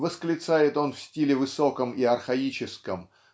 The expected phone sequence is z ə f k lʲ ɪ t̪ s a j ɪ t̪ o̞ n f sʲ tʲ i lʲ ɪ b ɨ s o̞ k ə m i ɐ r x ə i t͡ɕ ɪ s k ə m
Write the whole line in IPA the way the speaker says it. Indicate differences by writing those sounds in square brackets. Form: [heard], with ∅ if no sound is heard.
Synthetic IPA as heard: [v] ə [s] k lʲ ɪ t̪ s a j ɪ t̪ o̞ n f sʲ tʲ i lʲ ɪ [v] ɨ s o̞ k ə m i ɐ r x [ɐ] i t͡ɕ ɪ s k ə m